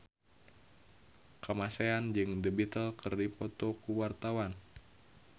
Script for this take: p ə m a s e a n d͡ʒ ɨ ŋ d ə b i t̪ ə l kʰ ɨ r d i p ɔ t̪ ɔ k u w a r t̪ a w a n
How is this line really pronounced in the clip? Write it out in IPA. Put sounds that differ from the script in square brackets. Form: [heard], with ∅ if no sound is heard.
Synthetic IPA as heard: [k] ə m a s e a n d͡ʒ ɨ ŋ d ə b i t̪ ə l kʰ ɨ r d i p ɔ t̪ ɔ k u w a r t̪ a w a n